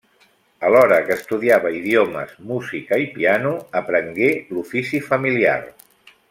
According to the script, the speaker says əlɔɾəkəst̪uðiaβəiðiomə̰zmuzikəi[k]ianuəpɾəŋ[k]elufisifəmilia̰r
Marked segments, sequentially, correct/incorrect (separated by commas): incorrect, incorrect